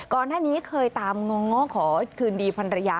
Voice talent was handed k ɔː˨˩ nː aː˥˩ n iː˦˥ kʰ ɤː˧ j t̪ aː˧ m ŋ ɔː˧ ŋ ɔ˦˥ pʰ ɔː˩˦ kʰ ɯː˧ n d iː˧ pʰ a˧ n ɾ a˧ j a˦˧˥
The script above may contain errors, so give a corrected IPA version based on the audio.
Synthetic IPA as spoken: k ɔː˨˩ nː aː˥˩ n iː˦˥ kʰ ɤː˧ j t̪ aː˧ m ŋ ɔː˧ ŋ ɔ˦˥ kʰ ɔː˩˦ kʰ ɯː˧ n d iː˧ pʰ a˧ n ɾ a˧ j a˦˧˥